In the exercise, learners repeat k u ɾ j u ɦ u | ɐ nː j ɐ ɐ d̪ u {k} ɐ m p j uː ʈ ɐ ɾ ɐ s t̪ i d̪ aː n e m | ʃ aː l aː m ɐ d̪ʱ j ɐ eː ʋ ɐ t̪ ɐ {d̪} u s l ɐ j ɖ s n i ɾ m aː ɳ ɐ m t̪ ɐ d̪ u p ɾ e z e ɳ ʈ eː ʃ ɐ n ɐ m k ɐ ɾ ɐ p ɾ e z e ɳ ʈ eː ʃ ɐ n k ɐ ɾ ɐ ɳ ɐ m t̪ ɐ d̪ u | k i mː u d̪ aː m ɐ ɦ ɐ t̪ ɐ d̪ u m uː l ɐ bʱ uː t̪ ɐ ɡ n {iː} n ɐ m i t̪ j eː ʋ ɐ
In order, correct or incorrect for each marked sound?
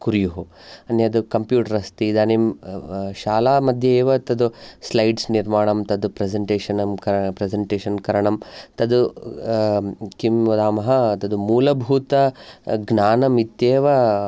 correct, correct, incorrect: aː

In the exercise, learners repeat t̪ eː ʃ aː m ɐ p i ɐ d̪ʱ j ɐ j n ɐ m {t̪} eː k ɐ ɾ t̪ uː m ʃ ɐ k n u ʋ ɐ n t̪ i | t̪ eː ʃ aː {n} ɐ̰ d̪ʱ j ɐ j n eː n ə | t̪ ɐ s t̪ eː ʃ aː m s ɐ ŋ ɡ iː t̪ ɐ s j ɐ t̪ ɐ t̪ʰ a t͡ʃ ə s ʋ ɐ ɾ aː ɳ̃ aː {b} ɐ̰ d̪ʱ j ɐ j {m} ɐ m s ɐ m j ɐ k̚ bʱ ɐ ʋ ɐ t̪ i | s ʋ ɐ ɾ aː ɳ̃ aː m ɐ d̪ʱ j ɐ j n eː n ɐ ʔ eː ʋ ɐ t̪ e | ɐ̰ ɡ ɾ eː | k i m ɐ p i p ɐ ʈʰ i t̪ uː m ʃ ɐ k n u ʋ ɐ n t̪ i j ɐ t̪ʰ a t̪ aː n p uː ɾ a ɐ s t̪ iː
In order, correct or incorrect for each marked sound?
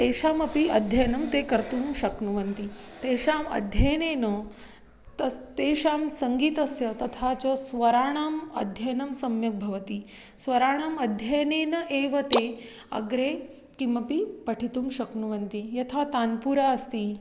correct, incorrect: m, incorrect: m, incorrect: n

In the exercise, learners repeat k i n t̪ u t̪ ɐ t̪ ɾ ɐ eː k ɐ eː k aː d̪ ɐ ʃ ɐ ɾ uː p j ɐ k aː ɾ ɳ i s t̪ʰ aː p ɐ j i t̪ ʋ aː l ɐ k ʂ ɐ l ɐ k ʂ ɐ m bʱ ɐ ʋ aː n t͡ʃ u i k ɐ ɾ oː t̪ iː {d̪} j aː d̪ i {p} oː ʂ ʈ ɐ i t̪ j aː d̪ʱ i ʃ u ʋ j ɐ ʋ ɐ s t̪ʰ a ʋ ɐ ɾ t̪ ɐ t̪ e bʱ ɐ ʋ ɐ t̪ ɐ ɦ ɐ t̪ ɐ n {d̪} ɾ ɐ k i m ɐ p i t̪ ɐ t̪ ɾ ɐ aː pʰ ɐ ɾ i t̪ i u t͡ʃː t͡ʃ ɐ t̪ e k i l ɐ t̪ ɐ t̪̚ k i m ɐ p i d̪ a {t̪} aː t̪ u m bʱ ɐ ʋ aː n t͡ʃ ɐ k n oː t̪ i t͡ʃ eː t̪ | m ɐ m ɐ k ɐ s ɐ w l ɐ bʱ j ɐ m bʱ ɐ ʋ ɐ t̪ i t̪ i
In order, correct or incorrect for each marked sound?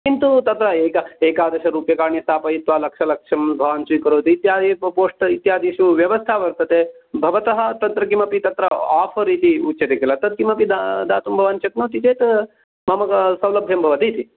incorrect: t̪, correct, incorrect: t̪, incorrect: d̪

